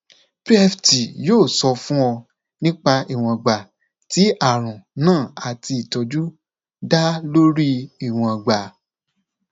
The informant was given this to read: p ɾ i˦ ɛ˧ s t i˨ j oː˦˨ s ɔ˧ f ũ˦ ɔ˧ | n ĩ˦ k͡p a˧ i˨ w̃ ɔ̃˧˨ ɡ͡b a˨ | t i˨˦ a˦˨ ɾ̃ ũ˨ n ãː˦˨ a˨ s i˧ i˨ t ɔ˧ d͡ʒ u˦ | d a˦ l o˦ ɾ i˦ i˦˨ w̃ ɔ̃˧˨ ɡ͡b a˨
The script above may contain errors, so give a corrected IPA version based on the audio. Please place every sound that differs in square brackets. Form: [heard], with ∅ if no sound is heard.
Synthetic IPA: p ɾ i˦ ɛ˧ [f] t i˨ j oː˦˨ s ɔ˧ f ũ˦ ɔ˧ | n ĩ˦ k͡p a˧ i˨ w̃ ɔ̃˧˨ ɡ͡b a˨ | t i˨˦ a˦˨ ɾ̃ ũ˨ n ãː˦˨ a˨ [t] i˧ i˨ t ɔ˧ d͡ʒ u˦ | d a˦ l o˦ ɾ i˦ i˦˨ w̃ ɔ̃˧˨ ɡ͡b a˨